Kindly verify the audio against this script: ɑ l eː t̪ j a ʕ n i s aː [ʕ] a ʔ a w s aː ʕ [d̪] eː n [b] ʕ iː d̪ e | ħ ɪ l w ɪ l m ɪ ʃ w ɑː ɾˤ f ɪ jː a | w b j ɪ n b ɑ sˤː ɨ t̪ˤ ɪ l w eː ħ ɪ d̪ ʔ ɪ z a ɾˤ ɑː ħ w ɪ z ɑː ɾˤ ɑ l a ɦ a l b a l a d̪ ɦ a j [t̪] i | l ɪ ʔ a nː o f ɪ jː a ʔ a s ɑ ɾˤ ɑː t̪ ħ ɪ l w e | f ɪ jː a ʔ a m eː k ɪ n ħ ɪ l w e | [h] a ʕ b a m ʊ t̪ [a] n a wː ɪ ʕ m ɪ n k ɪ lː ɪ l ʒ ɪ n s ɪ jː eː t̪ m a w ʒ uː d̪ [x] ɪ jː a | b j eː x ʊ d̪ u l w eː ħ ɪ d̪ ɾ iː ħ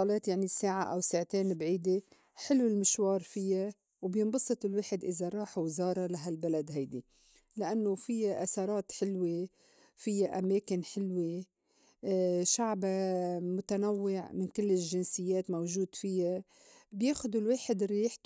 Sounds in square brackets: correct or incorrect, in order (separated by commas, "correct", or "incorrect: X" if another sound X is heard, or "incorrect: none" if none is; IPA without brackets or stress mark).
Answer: correct, incorrect: t̪, correct, incorrect: d̪, incorrect: ʃ, correct, incorrect: f